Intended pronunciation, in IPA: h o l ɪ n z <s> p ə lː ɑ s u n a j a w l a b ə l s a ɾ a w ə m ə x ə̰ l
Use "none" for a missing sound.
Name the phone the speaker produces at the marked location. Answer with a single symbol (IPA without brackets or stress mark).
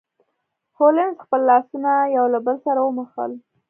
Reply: x